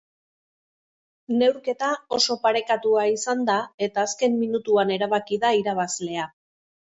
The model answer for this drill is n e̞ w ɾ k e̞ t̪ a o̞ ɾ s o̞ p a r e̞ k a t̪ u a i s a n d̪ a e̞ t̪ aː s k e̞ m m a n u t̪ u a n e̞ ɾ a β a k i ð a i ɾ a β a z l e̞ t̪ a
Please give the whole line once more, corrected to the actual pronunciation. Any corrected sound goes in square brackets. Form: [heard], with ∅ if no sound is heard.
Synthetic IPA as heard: n e̞ w ɾ k e̞ t̪ a o̞ [∅] s o̞ p a [ɾ] e̞ k a t̪ u a i s a n d̪ a e̞ t̪ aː s k e̞ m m [i] n u t̪ u a n e̞ ɾ a β a k i ð a i ɾ a β a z l e̞ [∅] a